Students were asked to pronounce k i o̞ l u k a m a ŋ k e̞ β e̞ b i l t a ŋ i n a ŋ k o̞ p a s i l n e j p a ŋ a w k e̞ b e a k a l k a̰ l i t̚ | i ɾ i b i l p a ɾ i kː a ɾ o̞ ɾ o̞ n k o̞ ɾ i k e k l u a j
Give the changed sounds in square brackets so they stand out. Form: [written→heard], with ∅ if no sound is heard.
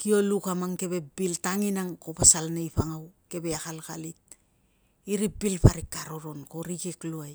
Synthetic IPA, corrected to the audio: k i o̞ l u k a m a ŋ k e̞ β e̞ b i l t a ŋ i n a ŋ k o̞ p a s [i→a] l n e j p a ŋ a w k e̞ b e a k a l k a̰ l i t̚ | i ɾ i b i l p a ɾ i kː a ɾ o̞ ɾ o̞ n k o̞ ɾ i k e k l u a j

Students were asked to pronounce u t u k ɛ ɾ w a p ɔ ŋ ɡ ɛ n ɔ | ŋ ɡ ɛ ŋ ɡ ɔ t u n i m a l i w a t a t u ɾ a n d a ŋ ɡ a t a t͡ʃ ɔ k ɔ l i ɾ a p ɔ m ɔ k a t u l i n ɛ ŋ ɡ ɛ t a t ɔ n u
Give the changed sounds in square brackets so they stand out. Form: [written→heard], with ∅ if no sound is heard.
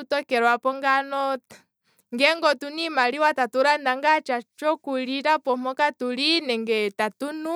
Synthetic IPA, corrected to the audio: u t [u→ɔ] k ɛ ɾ w a p ɔ ŋ ɡ [ɛ→a] n ɔ | ŋ ɡ ɛ ŋ ɡ ɔ t u n i m a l i w a t a t u ɾ a n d a ŋ ɡ a [t→t͡ʃ] a t͡ʃ ɔ k [ɔ→u] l i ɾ a p ɔ m ɔ k a t u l i n ɛ ŋ ɡ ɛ t a t [ɔ→u] n u

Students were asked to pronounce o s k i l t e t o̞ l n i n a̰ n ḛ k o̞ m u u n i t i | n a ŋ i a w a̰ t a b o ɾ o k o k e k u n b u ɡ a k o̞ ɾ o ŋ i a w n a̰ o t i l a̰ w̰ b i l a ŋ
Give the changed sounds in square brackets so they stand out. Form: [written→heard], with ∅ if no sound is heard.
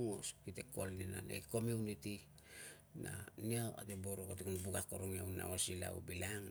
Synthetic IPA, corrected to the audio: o s k i [l→∅] t e [t→k] o̞ l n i n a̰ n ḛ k o̞ m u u n i t i | n a [ŋ→n] i a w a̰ t [a→e] b o ɾ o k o [k→t] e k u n b u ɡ a k o̞ ɾ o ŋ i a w n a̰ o [t→s] i l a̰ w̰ b i l a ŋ

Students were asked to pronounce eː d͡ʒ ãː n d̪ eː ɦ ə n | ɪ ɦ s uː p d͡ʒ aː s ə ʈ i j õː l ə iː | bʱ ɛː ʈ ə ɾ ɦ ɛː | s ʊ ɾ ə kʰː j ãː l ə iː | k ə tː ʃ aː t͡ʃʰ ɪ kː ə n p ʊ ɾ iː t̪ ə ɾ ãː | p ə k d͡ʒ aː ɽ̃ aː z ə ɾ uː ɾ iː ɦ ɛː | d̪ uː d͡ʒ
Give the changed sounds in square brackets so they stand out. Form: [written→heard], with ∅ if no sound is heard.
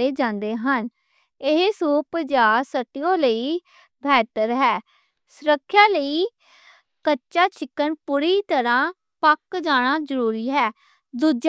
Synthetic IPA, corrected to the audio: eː d͡ʒ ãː n d̪ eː ɦ ə n | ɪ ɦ s uː p d͡ʒ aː s ə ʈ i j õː l ə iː | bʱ ɛː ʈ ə ɾ ɦ ɛː | s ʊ ɾ ə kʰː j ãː l ə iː | k ə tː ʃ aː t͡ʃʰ ɪ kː ə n p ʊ ɾ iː t̪ ə ɾ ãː | p ə k d͡ʒ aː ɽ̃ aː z ə ɾ uː ɾ iː ɦ ɛː | d̪ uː d͡ʒ

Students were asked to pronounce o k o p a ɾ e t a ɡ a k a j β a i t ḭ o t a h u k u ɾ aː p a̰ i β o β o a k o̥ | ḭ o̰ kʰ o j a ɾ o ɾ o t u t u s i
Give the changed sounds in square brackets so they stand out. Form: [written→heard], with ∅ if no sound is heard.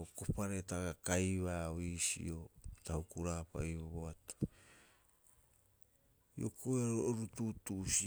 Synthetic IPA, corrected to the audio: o k o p a ɾ e t a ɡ a k a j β a i [t→s] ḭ o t a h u k u ɾ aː p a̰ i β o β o a [k→t] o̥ | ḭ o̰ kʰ o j a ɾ o ɾ [o→u] t u t u s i

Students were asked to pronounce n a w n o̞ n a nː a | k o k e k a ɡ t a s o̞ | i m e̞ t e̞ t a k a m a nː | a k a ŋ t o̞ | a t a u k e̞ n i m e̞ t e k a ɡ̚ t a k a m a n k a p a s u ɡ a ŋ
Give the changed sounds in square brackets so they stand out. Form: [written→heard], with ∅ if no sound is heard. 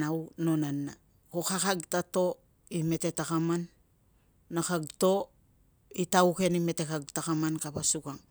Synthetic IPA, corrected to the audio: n a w n o̞ n a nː a | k o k [e→a] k a ɡ t a [s→t] o̞ | i m e̞ t e̞ t a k a m a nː | a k a [ŋ→ɡ] t o̞ | [a→i] t a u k e̞ n i m e̞ t e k a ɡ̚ t a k a m a n k a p a s u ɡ a ŋ

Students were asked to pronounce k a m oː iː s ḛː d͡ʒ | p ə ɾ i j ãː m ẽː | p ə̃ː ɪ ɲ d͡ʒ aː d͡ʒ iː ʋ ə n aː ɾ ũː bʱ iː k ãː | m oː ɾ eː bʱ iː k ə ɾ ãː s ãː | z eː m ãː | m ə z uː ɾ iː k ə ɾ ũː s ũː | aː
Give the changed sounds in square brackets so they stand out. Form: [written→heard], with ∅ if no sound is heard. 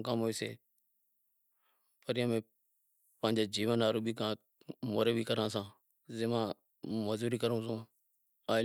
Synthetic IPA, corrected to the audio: k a m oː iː s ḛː [d͡ʒ→∅] | p ə ɾ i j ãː m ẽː | p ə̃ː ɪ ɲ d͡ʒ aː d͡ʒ iː ʋ ə n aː ɾ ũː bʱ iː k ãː | m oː ɾ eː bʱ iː k ə ɾ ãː s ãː | z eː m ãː | m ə z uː ɾ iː k ə ɾ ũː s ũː | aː

